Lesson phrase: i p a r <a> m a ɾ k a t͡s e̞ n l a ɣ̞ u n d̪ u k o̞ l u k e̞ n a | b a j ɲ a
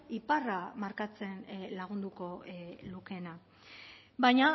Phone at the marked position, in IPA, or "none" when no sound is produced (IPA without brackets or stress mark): a